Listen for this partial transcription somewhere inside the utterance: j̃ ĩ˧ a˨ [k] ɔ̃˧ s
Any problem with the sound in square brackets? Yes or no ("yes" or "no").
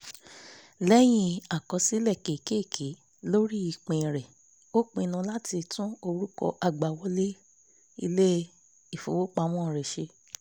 no